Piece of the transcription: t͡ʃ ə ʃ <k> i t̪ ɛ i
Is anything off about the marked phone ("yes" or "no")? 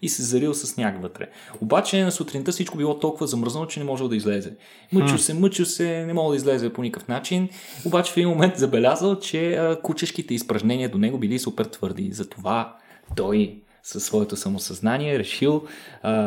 no